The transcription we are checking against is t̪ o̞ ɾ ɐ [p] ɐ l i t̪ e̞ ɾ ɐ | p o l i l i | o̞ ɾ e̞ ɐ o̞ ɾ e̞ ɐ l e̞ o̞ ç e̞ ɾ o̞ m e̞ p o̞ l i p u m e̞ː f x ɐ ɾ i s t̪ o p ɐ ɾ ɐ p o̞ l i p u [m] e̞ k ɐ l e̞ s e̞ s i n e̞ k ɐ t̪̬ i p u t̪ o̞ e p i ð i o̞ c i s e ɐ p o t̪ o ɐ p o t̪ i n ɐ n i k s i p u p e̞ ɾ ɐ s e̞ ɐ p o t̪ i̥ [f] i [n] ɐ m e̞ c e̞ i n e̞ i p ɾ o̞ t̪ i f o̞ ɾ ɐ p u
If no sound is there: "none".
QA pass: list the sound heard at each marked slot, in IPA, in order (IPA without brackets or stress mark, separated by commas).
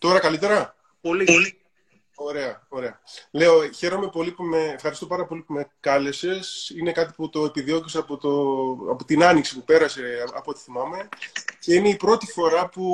k, m, θ, m